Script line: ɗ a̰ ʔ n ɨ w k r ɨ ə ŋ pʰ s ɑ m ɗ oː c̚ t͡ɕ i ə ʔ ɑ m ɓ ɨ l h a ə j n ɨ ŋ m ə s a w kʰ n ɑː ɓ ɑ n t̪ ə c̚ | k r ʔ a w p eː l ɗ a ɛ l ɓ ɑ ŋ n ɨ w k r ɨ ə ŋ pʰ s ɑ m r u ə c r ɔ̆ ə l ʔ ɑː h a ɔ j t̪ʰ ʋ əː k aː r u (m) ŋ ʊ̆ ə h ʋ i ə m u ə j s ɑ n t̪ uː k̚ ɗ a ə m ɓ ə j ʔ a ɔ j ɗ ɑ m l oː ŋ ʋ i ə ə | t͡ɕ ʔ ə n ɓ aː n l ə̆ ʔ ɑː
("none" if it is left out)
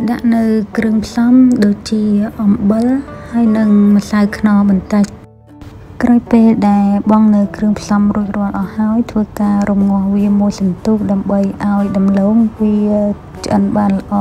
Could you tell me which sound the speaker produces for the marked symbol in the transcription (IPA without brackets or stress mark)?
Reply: m